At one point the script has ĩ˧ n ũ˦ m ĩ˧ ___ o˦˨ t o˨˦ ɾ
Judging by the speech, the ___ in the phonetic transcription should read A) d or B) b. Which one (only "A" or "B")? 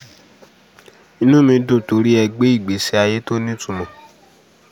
A